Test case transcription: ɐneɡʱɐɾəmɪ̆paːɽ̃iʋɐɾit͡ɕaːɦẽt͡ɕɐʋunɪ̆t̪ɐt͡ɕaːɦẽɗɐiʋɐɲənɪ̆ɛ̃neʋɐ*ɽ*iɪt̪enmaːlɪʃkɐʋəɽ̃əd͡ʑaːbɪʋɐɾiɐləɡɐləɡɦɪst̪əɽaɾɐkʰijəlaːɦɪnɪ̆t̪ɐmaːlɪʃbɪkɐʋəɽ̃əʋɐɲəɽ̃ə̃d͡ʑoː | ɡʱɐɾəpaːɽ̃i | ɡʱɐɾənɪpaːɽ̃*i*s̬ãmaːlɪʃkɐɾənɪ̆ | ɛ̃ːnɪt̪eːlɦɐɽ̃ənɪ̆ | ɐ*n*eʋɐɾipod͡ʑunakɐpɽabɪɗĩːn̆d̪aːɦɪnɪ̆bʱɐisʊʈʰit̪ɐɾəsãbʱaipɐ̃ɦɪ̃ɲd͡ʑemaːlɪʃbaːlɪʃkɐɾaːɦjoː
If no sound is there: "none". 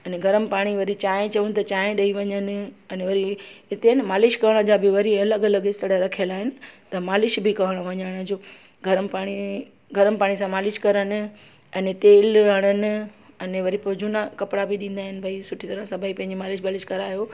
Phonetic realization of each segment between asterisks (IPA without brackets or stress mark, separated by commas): ɾ, i, n